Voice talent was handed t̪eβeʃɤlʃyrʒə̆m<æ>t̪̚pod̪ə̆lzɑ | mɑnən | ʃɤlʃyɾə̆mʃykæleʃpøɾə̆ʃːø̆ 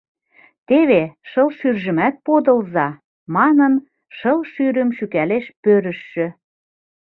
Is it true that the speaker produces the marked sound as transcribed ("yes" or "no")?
yes